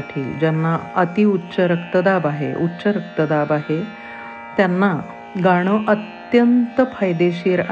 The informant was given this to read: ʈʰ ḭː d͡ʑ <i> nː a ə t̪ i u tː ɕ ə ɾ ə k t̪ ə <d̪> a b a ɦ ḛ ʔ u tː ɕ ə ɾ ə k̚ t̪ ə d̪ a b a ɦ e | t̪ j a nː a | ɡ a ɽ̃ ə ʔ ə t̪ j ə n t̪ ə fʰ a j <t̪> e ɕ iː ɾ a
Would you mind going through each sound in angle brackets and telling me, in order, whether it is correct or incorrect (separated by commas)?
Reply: incorrect, correct, incorrect